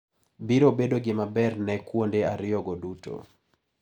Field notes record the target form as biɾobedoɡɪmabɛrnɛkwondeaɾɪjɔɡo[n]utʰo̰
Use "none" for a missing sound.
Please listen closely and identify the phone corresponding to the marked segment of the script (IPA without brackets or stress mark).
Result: d